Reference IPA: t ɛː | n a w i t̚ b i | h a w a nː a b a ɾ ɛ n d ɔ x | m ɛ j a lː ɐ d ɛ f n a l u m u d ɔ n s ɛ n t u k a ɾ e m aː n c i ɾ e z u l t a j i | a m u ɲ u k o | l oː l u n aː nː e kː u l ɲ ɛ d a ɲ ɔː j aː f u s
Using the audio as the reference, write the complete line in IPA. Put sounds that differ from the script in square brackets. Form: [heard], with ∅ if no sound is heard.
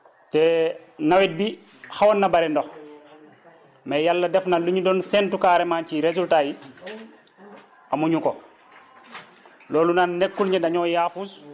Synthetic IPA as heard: t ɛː | n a w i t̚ b i | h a w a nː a b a ɾ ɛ n d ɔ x | m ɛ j a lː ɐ d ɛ f n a l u [ɲ] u d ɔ n s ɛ n t u k a ɾ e m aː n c i ɾ e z u l t a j i | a m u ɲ u k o | l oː l u n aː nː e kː u l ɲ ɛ d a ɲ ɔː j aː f u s